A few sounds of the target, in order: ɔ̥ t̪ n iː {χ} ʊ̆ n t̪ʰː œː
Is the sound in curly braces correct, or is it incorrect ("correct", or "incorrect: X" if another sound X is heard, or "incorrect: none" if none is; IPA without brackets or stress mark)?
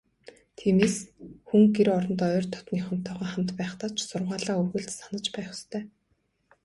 correct